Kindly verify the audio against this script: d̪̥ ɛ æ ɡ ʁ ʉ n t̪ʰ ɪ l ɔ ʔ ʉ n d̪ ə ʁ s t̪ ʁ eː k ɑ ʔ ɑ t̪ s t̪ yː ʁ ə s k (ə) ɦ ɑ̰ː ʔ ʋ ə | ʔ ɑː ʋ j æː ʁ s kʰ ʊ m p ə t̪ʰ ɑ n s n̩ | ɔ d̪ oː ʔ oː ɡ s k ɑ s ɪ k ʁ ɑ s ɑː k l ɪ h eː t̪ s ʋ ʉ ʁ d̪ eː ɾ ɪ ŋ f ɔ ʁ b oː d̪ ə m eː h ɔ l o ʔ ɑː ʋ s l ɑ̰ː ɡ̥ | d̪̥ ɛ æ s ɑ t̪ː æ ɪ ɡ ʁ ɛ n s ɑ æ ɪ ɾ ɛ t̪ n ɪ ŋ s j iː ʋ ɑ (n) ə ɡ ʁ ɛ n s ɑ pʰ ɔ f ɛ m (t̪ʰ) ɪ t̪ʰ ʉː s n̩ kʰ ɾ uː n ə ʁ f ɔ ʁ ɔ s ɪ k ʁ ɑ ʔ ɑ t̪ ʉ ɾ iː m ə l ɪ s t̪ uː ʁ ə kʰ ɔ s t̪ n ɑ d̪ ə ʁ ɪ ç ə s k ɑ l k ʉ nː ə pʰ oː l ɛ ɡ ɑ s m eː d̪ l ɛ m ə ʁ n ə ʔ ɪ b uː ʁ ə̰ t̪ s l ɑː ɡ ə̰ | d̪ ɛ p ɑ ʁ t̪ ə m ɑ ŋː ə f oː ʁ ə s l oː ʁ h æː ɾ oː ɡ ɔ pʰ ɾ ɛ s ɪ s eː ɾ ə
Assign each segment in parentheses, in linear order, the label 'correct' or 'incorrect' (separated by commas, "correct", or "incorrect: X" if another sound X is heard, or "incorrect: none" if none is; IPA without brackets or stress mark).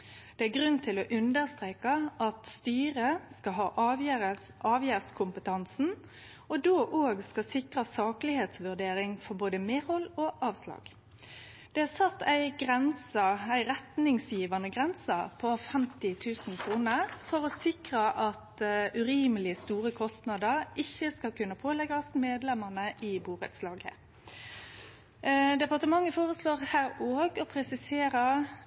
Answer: incorrect: ɑ, correct, incorrect: t̪